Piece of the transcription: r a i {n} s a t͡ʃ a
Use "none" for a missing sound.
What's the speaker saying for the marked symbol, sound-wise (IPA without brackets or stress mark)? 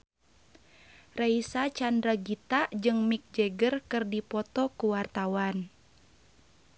none